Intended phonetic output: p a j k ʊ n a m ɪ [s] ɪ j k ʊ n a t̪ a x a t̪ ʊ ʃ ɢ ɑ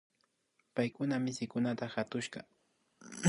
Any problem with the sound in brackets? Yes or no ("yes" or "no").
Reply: no